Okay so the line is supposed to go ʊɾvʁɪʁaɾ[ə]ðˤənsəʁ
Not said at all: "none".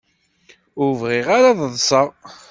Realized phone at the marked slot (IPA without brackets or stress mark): a